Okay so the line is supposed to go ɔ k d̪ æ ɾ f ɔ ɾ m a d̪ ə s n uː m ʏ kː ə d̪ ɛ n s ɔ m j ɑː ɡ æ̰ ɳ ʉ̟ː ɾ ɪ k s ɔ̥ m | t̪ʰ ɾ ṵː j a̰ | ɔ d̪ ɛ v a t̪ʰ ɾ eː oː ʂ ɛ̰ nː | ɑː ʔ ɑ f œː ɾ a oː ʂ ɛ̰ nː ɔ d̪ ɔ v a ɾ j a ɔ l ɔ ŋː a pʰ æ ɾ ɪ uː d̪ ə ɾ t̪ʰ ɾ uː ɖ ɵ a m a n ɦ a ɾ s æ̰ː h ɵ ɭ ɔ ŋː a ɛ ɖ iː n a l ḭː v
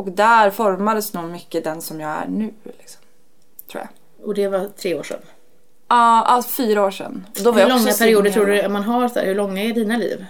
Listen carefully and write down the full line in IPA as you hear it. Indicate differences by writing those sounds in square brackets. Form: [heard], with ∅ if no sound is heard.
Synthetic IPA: ɔ k d̪ æ ɾ f ɔ ɾ m a d̪ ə s n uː m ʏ kː ə d̪ ɛ n s ɔ m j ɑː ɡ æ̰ ɳ ʉ̟ː [l] ɪ k s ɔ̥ m | t̪ʰ ɾ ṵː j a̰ | ɔ d̪ ɛ v a t̪ʰ ɾ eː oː ʂ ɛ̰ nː | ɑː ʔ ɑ f [yː] ɾ a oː ʂ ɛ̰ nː ɔ d̪ ɔ v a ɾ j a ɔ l ɔ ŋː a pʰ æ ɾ ɪ uː d̪ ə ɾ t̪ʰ ɾ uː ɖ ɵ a m a n ɦ a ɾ s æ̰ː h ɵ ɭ ɔ ŋː a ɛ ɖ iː n a l ḭː v